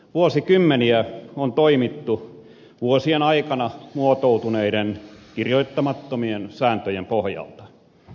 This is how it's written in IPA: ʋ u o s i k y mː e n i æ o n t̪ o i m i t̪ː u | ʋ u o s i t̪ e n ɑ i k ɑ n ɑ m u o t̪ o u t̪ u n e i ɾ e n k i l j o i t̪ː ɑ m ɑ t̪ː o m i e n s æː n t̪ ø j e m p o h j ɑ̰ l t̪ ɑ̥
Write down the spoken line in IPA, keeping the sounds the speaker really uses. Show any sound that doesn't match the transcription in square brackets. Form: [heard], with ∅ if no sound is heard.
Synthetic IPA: ʋ u o s i k y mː e n i æ o n t̪ o i m i t̪ː u | ʋ u o s i [∅] e n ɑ i k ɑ n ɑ m u o t̪ o u t̪ u n e i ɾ e n k i [r] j o i t̪ː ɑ m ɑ t̪ː o m i e n s æː n t̪ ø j e m p o h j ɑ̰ l t̪ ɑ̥